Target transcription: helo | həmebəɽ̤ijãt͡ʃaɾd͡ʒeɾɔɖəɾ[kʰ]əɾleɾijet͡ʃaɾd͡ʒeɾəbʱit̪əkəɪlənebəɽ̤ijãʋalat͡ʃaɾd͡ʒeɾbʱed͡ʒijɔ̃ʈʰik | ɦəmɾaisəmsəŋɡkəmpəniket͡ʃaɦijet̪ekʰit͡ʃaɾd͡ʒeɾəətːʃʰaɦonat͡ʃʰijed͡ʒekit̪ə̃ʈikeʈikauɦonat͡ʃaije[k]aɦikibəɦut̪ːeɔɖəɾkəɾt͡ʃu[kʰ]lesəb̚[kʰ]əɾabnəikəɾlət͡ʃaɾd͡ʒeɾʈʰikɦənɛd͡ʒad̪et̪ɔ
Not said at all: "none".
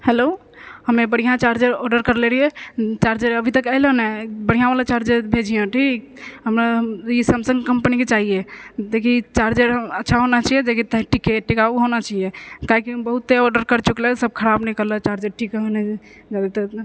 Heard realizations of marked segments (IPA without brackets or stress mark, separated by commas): k, k, k, kʰ